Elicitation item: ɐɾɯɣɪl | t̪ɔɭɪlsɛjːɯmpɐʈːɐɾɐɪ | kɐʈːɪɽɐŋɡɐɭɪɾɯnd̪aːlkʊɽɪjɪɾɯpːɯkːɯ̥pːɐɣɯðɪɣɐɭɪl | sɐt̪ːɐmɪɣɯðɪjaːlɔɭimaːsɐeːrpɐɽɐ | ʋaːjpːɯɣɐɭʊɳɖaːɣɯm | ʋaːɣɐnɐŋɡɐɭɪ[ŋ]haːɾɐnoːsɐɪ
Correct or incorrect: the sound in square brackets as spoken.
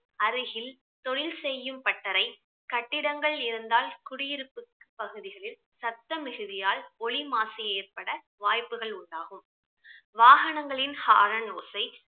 incorrect: n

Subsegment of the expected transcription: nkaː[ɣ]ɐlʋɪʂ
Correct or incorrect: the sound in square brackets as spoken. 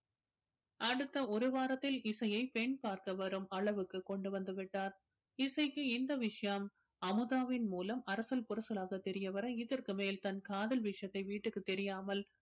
incorrect: ð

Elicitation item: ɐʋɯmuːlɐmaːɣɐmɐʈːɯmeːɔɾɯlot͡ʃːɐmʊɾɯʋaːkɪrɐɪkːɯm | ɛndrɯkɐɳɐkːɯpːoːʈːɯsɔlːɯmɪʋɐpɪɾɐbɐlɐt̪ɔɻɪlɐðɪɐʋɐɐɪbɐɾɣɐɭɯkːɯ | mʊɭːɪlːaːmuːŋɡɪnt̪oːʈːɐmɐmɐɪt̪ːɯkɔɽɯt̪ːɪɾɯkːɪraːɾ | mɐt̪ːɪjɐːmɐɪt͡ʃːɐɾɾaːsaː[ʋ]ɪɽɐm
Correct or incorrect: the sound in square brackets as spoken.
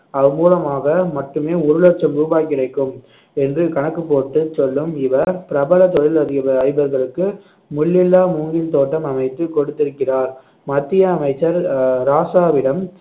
correct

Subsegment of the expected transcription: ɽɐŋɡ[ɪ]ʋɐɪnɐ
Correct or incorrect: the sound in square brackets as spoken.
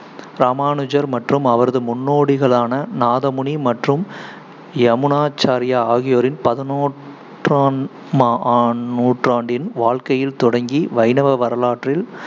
incorrect: i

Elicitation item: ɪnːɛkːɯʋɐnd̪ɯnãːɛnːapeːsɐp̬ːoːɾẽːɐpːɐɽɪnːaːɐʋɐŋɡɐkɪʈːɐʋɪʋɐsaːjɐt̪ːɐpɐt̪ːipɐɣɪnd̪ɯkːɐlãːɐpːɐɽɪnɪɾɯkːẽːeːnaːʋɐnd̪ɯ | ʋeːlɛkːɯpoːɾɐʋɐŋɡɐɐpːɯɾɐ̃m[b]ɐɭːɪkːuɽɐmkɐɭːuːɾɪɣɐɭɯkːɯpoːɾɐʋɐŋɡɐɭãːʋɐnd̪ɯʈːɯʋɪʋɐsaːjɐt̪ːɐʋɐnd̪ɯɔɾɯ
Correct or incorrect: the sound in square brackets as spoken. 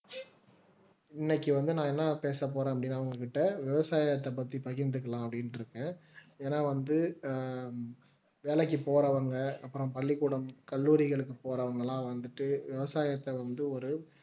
incorrect: p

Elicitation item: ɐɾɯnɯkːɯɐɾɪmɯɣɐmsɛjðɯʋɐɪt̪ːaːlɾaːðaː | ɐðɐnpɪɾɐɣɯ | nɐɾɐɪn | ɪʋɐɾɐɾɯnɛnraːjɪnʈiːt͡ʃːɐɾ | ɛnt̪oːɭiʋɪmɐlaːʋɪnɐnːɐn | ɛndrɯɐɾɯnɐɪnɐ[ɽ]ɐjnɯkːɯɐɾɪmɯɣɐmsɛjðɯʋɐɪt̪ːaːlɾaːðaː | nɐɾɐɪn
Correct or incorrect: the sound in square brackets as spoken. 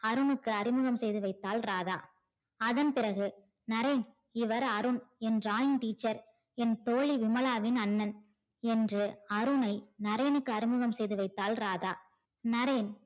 incorrect: ɾ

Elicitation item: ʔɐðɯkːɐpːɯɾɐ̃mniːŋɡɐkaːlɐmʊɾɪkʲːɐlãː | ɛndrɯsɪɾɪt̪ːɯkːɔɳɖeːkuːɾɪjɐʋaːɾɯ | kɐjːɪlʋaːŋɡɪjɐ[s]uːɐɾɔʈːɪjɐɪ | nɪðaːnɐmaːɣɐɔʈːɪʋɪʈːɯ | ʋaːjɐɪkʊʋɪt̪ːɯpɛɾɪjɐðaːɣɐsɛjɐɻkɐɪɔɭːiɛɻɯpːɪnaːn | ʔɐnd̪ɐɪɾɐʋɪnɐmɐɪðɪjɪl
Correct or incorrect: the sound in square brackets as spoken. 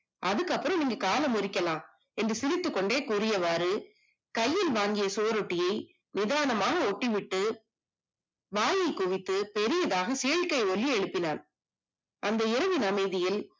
correct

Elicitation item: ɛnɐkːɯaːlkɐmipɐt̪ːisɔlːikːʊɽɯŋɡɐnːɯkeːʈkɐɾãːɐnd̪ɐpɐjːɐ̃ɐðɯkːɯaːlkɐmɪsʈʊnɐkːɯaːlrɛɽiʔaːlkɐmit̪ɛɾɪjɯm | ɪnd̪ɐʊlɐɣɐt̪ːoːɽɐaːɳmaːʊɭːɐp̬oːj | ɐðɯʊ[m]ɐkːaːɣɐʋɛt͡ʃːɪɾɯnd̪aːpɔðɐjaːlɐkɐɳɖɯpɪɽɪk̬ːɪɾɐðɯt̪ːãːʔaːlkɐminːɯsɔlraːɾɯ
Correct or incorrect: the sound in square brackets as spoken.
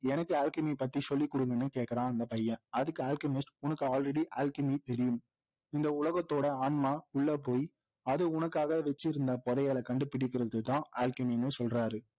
incorrect: n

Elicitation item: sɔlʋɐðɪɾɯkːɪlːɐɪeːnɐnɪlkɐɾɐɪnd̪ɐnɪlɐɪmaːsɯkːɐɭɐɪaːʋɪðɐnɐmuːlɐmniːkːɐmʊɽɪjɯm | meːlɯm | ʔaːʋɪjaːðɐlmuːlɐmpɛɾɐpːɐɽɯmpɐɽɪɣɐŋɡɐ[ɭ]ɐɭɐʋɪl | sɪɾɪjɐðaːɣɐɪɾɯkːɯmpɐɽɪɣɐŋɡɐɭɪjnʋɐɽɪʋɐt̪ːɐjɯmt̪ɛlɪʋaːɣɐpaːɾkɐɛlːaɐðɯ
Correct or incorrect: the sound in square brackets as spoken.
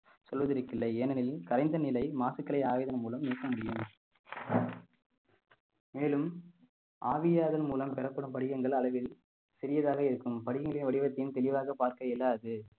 correct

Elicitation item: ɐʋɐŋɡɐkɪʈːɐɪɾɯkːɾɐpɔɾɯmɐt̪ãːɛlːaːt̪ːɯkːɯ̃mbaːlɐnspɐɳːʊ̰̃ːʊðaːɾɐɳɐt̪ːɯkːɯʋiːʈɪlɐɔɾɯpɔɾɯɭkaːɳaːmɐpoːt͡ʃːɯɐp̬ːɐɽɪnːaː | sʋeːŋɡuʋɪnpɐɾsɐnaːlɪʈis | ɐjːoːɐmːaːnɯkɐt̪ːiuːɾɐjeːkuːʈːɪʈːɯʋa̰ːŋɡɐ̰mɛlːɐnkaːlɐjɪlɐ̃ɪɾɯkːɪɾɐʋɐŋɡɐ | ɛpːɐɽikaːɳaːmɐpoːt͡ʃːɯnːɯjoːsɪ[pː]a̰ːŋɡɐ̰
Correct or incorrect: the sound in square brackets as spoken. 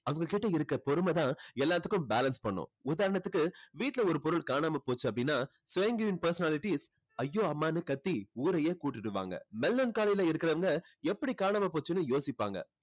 correct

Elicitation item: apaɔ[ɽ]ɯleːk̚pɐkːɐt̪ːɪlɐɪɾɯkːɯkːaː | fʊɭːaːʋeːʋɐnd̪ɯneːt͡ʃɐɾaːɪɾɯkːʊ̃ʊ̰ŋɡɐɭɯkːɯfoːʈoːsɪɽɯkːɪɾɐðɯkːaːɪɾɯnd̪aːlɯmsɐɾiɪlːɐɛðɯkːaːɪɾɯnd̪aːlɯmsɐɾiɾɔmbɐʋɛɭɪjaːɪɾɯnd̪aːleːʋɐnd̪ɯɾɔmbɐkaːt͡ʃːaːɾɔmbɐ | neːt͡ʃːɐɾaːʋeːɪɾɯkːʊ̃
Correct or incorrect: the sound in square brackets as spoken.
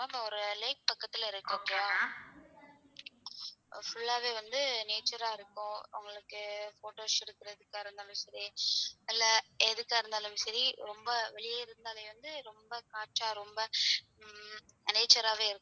incorrect: ɾ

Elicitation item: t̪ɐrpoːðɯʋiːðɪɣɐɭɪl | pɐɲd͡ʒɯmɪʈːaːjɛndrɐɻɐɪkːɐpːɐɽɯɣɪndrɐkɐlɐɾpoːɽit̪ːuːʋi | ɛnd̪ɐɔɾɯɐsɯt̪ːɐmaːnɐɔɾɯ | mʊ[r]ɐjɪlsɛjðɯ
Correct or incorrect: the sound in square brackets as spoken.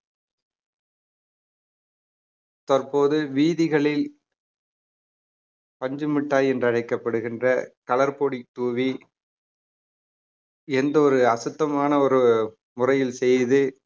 correct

